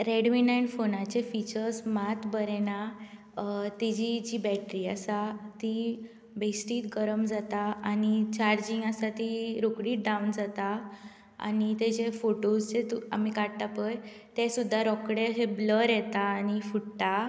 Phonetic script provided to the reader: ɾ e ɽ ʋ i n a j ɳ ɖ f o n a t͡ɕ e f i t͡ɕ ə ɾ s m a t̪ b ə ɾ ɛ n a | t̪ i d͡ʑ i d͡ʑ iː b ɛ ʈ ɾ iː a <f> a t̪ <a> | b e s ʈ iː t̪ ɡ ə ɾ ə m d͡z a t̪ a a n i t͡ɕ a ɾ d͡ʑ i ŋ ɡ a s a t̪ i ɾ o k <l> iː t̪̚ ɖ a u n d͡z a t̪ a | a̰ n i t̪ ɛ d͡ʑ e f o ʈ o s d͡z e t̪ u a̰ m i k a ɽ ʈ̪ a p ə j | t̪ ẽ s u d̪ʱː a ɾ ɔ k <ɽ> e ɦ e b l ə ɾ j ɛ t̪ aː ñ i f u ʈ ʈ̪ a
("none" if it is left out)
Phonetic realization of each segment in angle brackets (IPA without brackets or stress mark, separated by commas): s, i, ɽ, ɽ